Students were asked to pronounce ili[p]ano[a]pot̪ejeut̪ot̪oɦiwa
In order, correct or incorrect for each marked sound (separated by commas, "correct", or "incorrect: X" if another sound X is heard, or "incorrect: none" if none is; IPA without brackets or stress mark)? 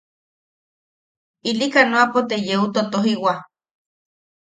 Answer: incorrect: k, correct